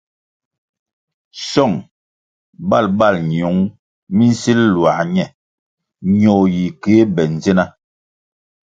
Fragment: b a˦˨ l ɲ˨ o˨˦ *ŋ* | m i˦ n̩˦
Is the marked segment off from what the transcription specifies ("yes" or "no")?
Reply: no